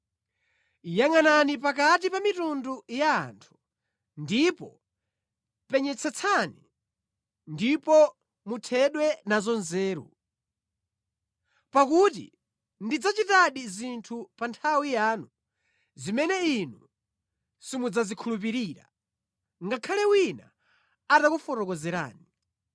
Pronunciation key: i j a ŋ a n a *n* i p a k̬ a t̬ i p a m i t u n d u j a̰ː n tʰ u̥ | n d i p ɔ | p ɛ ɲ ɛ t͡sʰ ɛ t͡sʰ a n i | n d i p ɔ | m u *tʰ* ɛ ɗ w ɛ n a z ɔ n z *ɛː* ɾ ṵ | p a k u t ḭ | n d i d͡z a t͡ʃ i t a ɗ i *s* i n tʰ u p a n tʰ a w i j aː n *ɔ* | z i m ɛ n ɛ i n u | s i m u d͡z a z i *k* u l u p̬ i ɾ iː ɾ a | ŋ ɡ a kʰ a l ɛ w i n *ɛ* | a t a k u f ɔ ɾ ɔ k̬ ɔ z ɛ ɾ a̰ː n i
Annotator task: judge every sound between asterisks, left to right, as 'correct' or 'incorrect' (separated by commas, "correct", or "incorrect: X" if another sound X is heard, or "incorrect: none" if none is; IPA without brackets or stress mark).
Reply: correct, correct, correct, incorrect: z, incorrect: u, incorrect: kʰ, incorrect: a